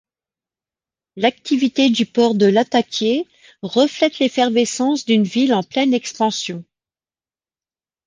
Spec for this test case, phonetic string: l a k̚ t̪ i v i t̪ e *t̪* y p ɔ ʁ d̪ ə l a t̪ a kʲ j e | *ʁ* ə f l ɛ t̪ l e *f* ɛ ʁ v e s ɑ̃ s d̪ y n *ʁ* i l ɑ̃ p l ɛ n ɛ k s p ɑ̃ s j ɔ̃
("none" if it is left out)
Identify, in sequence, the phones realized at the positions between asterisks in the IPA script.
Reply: d̪, ʁ, f, v

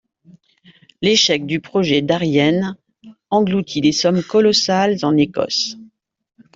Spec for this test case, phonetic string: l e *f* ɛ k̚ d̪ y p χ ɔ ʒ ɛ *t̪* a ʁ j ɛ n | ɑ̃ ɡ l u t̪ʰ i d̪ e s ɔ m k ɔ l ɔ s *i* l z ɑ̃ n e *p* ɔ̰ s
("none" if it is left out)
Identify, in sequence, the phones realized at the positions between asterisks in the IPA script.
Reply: ʃ, d̪, a, k

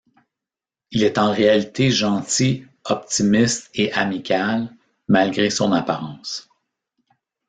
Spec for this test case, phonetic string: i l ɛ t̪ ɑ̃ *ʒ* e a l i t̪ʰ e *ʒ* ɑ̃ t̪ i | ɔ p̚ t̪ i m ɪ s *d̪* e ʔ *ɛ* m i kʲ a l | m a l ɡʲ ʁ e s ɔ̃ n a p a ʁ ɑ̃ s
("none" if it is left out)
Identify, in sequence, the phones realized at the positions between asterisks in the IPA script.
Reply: ʁ, ʒ, t̪, a

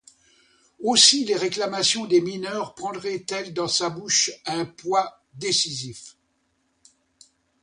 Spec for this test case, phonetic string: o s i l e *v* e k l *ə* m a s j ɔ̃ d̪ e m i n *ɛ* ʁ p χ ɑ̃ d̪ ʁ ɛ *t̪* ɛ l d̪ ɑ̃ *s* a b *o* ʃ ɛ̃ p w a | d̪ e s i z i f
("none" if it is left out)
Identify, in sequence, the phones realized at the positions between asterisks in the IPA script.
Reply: ʁ, a, œ, t̪, s, u

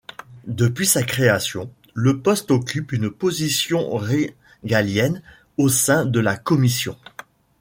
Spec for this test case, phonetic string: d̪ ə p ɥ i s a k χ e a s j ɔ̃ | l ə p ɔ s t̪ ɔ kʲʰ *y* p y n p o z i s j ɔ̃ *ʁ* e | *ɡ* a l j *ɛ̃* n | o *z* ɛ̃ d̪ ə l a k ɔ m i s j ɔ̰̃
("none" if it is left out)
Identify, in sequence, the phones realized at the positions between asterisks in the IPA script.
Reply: y, ʁ, ɡ, ɛ, s

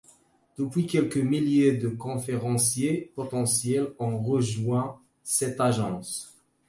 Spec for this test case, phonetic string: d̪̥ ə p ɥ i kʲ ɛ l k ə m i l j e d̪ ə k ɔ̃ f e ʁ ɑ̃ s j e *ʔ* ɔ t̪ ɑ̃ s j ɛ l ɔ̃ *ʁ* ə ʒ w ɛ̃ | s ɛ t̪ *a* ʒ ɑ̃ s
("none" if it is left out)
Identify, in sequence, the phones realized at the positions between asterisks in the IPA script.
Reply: p, ʁ, a

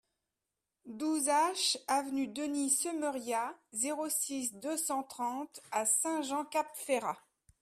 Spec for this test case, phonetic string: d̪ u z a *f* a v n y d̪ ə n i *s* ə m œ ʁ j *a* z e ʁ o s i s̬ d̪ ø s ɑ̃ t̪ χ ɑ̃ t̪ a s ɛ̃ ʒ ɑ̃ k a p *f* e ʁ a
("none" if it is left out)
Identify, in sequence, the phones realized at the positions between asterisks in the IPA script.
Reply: ʃ, s, a, f

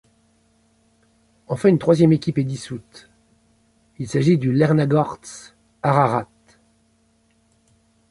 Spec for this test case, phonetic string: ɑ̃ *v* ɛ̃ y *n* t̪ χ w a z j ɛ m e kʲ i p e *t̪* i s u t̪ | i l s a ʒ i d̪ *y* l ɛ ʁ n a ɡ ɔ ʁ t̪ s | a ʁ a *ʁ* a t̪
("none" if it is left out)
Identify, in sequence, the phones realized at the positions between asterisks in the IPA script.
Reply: f, n, d̪, y, ʁ

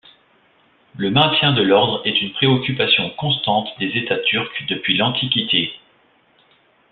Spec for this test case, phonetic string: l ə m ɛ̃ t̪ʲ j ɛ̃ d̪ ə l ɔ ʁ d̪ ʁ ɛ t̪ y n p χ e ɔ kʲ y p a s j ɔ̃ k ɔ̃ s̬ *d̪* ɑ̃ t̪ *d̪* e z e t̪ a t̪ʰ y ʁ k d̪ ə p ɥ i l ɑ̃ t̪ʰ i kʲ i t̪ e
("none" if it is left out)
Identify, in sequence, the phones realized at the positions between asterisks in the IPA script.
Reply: t̪, d̪

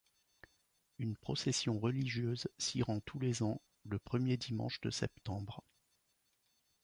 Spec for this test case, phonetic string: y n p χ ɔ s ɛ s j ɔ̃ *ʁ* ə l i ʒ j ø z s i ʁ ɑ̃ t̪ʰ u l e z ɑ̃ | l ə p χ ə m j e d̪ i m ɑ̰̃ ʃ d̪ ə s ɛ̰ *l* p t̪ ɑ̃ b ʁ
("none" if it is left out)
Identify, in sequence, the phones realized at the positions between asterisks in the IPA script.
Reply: ʁ, none

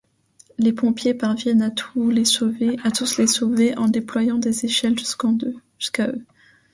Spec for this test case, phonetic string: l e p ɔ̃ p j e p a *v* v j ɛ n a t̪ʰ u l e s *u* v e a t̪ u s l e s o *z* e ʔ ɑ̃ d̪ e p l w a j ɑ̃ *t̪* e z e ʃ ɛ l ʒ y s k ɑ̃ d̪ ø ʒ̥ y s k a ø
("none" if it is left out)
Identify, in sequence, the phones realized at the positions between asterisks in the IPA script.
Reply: ʁ, o, v, d̪

